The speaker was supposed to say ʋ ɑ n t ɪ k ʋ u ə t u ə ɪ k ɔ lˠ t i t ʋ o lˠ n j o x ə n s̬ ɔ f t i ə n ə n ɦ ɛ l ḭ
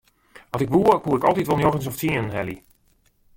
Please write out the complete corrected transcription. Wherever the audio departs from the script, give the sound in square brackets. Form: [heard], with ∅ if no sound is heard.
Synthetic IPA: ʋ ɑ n t ɪ k ʋ u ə [k] u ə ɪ k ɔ lˠ t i t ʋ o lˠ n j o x ə n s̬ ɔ f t i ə n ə n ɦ ɛ l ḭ